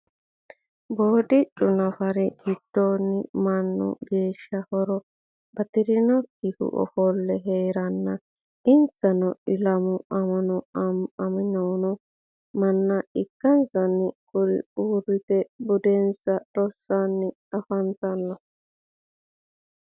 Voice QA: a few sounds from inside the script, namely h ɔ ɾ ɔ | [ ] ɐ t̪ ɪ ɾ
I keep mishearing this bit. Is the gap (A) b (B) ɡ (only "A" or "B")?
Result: A